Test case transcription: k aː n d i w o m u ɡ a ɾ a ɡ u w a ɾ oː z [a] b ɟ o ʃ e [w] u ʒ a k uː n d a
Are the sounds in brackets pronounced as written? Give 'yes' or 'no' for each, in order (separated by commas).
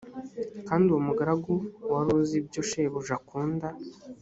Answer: no, no